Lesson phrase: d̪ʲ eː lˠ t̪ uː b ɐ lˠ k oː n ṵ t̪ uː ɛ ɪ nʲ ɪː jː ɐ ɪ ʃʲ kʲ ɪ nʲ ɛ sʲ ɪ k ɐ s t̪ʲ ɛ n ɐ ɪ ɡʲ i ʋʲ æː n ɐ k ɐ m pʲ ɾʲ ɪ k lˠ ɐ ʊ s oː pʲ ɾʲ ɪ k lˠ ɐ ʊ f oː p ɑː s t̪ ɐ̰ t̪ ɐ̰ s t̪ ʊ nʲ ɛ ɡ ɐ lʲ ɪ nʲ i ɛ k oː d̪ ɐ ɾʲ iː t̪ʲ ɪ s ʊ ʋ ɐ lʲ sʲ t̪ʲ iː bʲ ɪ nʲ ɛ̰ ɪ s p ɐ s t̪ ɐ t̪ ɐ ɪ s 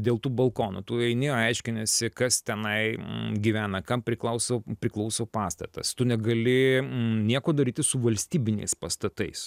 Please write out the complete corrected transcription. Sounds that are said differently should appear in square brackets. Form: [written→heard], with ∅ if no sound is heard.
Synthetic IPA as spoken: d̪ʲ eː lˠ t̪ uː b ɐ lˠ k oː n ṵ t̪ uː ɛ ɪ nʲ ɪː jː ɐ ɪ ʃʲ kʲ ɪ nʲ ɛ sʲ ɪ k ɐ s t̪ʲ ɛ n ɐ ɪ ɡʲ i ʋʲ æː n ɐ k ɐ m pʲ ɾʲ ɪ k lˠ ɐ ʊ s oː pʲ ɾʲ ɪ k lˠ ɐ ʊ [f→s] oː p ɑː s t̪ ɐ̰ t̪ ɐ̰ s t̪ ʊ nʲ ɛ ɡ ɐ lʲ ɪ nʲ i ɛ k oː d̪ ɐ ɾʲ iː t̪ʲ ɪ s ʊ ʋ ɐ lʲ sʲ t̪ʲ iː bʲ ɪ nʲ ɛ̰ ɪ s p ɐ s t̪ ɐ t̪ ɐ ɪ s